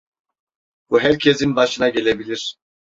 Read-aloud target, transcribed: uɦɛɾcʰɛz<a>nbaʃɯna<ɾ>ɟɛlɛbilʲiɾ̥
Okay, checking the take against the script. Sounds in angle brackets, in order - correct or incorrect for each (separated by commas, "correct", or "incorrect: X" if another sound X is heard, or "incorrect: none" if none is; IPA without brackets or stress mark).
incorrect: i, incorrect: none